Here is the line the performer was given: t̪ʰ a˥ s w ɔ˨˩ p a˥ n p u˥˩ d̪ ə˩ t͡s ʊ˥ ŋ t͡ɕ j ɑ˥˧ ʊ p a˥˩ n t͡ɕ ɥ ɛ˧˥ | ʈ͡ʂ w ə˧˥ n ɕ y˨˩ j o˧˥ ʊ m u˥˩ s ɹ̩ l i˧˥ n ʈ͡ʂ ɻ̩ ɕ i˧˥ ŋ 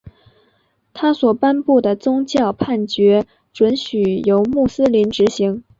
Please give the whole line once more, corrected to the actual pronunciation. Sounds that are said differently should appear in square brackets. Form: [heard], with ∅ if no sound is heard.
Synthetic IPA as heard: t̪ʰ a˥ s w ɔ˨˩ p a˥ n p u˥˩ d̪ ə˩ t͡s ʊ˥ ŋ t͡ɕ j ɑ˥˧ ʊ [pʰ] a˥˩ n t͡ɕ ɥ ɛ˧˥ | ʈ͡ʂ w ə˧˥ n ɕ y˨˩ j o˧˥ ʊ m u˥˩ s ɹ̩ l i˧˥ n ʈ͡ʂ ɻ̩ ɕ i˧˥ ŋ